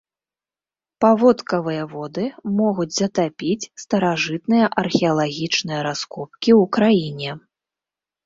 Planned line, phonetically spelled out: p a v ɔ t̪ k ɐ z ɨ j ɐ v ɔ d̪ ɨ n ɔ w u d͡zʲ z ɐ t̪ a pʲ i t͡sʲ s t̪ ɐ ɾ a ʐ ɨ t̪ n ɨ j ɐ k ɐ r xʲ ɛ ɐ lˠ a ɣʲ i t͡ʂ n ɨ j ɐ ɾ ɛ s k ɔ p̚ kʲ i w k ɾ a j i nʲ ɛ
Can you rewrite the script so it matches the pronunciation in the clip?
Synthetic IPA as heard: p a v ɔ t̪ k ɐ v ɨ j ɐ v ɔ d̪ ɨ m ɔ ɣ u d͡zʲ z ɐ t̪ a pʲ i t͡sʲ s t̪ ɐ ɾ a ʐ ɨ t̪ n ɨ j ɐ ʔ ɐ r xʲ ɛ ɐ lˠ a ɣʲ i t͡ʂ n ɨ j ɐ ɾ a s k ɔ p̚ kʲ i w k ɾ a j i nʲ ɛ